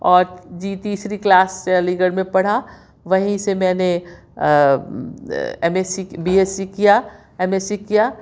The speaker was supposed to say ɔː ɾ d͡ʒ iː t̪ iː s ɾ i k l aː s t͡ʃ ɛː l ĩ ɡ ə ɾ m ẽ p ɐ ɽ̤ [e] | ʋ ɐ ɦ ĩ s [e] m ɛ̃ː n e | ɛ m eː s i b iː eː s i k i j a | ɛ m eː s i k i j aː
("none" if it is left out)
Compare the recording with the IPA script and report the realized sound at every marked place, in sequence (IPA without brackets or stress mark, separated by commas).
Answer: a, e